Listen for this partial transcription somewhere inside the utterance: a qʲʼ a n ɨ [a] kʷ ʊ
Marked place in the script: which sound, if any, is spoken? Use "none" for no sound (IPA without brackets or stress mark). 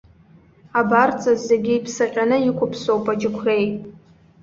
i